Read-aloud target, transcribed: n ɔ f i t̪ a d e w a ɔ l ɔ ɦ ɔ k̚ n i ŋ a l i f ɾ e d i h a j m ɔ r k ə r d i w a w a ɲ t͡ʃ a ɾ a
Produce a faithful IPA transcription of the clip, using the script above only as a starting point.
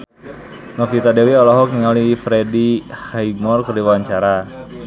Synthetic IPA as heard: n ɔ f i t̪ a d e w i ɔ l ɔ ɦ ɔ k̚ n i ŋ a l i f ɾ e d i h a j m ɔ r k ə r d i w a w a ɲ t͡ʃ a ɾ a